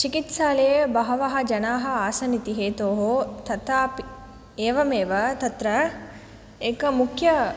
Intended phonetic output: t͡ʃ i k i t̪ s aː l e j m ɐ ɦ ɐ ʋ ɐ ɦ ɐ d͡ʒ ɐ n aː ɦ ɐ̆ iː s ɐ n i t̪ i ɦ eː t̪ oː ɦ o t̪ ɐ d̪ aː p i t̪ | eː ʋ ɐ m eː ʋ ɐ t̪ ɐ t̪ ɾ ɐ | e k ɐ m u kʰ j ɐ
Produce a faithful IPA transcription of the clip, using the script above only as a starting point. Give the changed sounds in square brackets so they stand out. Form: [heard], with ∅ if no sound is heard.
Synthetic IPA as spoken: t͡ʃ i k i t̪ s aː l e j [b] ɐ ɦ ɐ ʋ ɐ ɦ ɐ d͡ʒ ɐ n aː ɦ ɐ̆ [aː] s ɐ n i t̪ i ɦ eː t̪ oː ɦ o t̪ ɐ [t̪] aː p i [∅] | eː ʋ ɐ m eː ʋ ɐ t̪ ɐ t̪ ɾ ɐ | e k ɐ m u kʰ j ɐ